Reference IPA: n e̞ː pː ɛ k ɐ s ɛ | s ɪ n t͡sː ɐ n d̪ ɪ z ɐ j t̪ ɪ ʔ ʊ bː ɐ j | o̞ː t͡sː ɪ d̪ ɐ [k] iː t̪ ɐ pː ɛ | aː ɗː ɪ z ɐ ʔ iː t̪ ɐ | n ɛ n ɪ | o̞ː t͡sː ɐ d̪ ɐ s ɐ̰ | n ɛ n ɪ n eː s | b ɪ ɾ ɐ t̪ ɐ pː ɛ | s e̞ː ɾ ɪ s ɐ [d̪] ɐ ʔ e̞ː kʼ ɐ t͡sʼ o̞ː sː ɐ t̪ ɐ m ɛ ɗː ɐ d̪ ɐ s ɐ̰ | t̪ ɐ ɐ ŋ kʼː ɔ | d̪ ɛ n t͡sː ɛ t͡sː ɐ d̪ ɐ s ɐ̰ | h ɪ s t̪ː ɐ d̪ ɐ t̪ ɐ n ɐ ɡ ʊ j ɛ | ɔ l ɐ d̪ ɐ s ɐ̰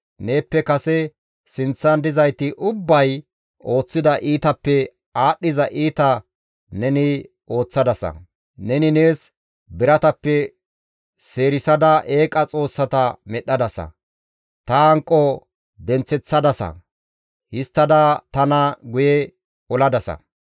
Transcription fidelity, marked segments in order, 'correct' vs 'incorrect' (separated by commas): incorrect, correct